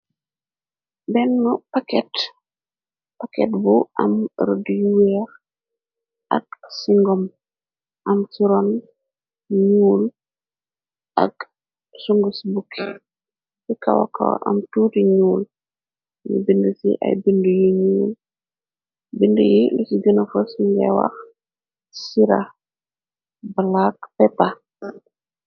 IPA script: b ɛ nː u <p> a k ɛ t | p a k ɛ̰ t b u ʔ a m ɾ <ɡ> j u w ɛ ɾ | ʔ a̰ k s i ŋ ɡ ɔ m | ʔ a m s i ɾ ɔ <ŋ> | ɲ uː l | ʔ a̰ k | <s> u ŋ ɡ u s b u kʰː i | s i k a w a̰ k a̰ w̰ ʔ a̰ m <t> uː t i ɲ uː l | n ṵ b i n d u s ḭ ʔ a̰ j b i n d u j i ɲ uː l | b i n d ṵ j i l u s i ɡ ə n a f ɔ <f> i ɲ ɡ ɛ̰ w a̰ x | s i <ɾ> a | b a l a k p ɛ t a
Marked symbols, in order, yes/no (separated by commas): yes, no, no, yes, yes, no, yes